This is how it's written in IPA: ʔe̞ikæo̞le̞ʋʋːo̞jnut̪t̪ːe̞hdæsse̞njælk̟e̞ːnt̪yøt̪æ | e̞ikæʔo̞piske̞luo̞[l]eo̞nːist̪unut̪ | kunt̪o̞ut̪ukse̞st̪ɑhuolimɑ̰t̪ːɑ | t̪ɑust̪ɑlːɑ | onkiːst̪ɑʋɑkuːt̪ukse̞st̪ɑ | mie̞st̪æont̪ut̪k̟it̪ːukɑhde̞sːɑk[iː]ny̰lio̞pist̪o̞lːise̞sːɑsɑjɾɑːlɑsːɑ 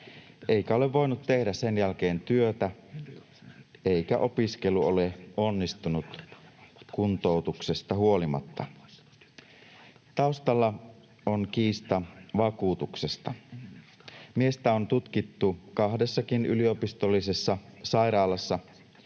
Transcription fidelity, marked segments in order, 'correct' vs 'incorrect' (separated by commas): correct, incorrect